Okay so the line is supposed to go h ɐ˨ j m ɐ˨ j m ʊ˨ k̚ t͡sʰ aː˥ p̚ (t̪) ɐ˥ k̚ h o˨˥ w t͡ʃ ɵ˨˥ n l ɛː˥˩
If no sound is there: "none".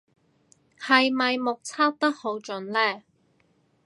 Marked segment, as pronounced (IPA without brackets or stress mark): t̪